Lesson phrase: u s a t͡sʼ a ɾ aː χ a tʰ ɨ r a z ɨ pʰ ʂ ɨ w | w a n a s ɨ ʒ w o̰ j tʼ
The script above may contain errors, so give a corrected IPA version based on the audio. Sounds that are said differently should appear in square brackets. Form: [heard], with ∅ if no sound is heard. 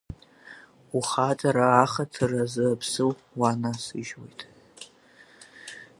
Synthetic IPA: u [χ] a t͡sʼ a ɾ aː χ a tʰ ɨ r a z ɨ pʰ [s] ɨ w | w a n a s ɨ ʒ w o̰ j tʼ